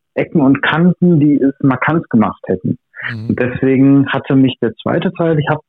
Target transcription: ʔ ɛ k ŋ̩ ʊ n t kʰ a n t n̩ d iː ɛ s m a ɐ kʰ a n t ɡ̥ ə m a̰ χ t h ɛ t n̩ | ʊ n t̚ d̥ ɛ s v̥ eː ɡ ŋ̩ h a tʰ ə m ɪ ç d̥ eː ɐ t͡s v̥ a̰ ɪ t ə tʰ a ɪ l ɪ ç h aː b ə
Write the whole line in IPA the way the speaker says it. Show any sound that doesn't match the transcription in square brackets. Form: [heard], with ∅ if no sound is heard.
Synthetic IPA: ʔ ɛ k ŋ̩ ʊ n t kʰ a n t n̩ d iː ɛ s m a ɐ kʰ a n t ɡ̥ ə m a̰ χ t h ɛ t n̩ | ʊ n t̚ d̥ ɛ s v̥ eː ɡ ŋ̩ h a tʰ ə m ɪ ç d̥ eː ɐ t͡s v̥ a̰ ɪ t ə tʰ a ɪ l ɪ ç h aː b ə